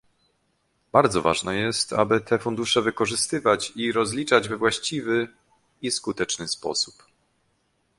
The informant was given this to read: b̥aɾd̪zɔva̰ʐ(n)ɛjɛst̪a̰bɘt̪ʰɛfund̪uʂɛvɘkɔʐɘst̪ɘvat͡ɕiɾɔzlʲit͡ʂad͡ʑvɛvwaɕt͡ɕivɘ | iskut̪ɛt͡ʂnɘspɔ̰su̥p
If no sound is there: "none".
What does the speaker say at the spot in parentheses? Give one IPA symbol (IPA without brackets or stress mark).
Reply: n